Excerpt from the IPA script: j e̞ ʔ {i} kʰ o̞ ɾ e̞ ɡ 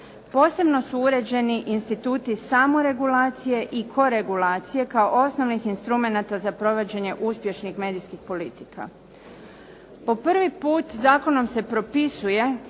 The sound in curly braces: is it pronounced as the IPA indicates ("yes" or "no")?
yes